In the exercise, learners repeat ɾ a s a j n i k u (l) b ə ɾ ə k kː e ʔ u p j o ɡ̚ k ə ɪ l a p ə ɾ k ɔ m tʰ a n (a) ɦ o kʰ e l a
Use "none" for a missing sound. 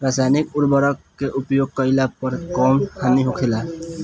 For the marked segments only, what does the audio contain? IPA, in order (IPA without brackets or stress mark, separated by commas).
ɾ, i